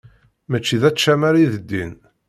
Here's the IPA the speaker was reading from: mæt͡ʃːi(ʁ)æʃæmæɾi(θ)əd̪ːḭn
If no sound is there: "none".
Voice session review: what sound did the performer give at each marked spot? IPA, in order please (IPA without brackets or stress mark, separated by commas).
ð, ð